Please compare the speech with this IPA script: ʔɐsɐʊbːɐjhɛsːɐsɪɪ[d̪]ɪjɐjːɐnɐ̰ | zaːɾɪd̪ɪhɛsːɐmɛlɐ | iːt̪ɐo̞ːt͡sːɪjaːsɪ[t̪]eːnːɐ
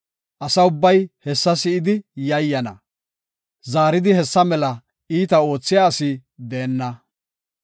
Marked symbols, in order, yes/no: yes, no

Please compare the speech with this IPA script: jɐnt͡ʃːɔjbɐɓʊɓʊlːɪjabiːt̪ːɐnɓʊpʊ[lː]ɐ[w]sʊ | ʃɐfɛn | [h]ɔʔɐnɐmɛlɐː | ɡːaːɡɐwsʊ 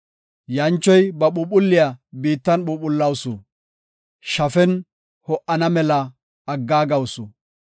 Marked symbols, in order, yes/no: yes, yes, yes

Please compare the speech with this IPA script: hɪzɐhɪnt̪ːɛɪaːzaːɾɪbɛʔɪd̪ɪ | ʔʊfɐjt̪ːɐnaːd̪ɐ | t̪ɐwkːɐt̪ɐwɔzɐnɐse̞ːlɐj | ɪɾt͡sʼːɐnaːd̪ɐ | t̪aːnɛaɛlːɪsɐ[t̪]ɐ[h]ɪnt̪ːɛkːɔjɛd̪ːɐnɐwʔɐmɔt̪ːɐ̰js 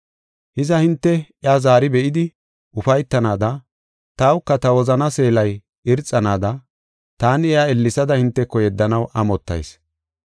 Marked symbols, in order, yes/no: no, yes

